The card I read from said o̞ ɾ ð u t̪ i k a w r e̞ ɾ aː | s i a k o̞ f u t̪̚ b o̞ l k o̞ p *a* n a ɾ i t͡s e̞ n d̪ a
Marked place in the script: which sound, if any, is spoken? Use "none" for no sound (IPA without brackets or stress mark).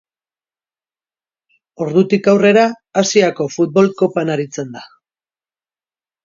a